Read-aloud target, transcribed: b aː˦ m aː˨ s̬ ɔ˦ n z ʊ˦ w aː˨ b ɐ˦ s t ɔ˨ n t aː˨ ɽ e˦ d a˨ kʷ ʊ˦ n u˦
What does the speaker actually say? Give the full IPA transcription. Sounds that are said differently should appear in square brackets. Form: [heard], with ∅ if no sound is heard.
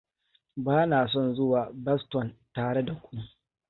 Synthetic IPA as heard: b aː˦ [n] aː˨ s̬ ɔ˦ n z ʊ˦ w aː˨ b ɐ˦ s t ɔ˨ n t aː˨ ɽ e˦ d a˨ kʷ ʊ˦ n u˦